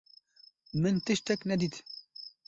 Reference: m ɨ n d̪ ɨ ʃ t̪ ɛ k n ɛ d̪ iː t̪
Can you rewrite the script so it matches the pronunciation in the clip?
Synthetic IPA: m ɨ n t̪ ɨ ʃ t̪ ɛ k n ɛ d̪ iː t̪